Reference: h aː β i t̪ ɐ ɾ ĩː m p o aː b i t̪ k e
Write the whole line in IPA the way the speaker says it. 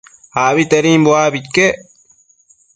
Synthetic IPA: h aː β i t̪ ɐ ɾ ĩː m b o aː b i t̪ k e